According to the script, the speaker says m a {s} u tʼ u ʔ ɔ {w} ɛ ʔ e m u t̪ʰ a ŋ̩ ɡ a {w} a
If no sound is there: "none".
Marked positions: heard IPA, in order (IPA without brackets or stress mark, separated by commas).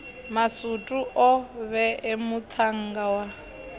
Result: s, β, w